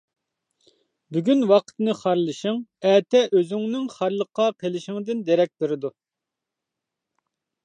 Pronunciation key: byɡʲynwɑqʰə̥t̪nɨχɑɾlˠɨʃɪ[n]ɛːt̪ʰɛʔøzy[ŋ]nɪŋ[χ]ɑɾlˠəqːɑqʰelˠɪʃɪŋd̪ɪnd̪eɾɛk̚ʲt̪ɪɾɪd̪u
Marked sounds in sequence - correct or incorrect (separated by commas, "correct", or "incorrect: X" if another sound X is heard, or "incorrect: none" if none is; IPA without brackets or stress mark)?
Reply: incorrect: ŋ, correct, correct